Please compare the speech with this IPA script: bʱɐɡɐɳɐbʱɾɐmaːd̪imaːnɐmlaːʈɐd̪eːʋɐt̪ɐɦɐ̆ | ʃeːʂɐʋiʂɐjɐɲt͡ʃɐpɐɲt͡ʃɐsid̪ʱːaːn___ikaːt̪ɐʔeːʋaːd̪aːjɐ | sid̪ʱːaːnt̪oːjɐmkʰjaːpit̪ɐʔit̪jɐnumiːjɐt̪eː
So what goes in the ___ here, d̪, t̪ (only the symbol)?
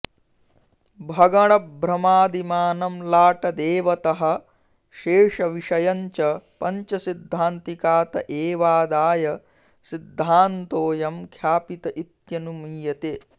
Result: t̪